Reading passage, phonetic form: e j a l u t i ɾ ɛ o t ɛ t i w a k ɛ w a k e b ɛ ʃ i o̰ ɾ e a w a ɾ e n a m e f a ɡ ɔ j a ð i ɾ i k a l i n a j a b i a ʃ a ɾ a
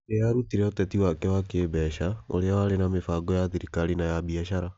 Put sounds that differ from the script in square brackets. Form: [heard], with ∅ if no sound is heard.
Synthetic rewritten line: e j a [ɾ] u t i ɾ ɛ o t ɛ t i w a k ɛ w a k e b ɛ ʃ [a] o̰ ɾ e a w a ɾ e n a m e f a ɡ ɔ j a ð i ɾ i k a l i n a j a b i a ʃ a ɾ a

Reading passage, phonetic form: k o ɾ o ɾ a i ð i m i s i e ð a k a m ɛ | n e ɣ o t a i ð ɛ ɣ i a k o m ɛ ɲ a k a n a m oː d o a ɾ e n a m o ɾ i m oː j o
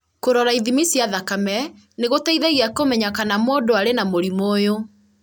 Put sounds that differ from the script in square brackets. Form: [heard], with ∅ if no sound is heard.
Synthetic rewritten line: k o ɾ [ɔ] ɾ a i ð i m i s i [a] ð a k a m ɛ | n e ɣ o t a i ð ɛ ɣ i a k o m ɛ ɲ a k a n a m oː d o a ɾ e n a m o ɾ i m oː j o

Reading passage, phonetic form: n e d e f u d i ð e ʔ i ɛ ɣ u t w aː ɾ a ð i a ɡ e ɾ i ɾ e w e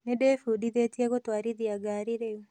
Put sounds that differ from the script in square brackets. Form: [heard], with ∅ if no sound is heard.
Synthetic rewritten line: n e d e f u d i ð e [t] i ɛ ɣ [o] t w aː ɾ [i] ð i a ɡ [a] ɾ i ɾ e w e

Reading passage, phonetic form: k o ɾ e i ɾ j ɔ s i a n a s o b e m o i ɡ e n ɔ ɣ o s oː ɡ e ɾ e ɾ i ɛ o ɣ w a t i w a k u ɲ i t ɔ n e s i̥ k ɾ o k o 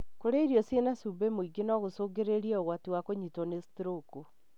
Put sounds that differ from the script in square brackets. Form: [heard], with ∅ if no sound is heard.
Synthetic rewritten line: k o ɾ e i ɾ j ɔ s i [e] n a s [u] b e m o i ɡ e n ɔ ɣ o s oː ɡ e ɾ e ɾ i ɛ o ɣ w a t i w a k [o] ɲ i t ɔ n e s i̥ [t] ɾ o k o

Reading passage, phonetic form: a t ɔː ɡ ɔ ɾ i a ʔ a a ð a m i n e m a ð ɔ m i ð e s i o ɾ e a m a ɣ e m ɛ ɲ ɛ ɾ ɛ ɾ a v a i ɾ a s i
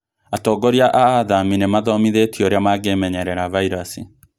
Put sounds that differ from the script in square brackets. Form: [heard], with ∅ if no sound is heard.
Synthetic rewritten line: a t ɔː ɡ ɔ ɾ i a ʔ a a ð a m i n e m a ð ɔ m i ð e [t] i o ɾ e a m a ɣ e m ɛ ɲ ɛ ɾ ɛ ɾ a v a i ɾ a s i

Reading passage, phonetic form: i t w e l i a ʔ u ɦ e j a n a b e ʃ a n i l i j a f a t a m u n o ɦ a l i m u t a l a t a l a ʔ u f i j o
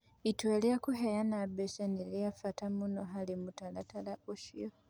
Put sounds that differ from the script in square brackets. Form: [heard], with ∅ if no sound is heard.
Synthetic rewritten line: i t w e l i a [k] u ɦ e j a n a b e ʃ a n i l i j a f a t a m u n o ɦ a l i m u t a l a t a l a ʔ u [ʃ] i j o

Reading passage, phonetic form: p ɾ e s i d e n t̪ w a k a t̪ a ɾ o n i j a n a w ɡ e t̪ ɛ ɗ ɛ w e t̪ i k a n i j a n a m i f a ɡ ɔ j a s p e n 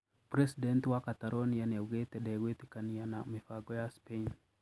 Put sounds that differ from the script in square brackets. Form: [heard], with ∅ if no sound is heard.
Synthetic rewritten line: p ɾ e s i d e n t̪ w a k a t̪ a ɾ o n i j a n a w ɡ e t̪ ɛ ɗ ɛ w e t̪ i k a n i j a n a m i f a ɡ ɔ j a s p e n

